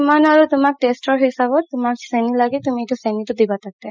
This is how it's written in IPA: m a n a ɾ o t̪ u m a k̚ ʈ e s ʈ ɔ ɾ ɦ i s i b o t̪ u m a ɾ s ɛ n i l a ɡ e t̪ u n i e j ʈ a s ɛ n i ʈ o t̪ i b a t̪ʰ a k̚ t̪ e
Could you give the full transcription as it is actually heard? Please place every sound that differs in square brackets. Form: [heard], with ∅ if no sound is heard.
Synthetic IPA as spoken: m a n a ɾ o t̪ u m a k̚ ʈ e s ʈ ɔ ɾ ɦ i s [a] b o t̪ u m a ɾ s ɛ n i l a ɡ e t̪ u [m] i e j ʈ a s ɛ n i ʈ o [d̪] i b a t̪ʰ a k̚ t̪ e